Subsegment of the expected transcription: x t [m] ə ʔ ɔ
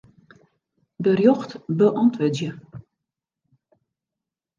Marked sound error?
yes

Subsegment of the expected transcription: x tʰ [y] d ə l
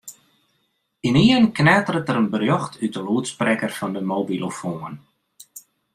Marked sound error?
no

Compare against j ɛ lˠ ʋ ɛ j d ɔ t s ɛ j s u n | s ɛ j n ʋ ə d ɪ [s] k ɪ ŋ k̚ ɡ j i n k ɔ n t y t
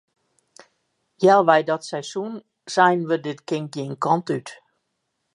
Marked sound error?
yes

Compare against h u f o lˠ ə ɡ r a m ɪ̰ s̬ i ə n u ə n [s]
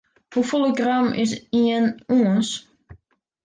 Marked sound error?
no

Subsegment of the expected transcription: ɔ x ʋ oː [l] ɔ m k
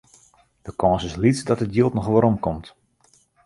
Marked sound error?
yes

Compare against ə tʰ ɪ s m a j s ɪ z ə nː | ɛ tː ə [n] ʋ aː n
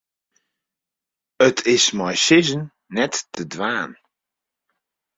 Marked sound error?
yes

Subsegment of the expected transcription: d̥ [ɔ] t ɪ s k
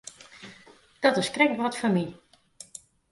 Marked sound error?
no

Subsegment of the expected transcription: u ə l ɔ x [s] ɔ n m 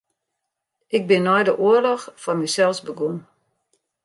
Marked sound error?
yes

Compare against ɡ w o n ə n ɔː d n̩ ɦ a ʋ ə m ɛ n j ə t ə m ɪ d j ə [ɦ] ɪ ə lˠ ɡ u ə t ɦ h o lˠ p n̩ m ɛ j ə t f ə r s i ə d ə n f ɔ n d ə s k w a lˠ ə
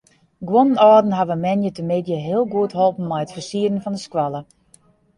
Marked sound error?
no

